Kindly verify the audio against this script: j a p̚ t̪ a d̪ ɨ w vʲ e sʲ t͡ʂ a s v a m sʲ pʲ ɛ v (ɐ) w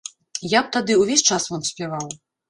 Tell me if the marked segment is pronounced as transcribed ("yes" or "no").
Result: no